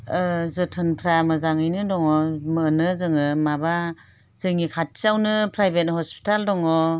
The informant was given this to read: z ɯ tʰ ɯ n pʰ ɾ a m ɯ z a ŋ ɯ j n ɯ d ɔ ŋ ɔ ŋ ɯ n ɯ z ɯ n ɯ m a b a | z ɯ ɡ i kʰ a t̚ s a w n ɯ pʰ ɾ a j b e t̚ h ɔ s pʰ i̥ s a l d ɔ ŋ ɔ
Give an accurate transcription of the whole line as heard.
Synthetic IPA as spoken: z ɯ tʰ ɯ n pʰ ɾ a m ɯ z a ŋ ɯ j n ɯ d ɔ ŋ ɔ m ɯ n ɯ z ɯ ŋ ɯ m a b a | z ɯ ŋ i kʰ a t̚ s a w n ɯ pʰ ɾ a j b e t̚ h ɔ s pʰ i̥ t a l d ɔ ŋ ɔ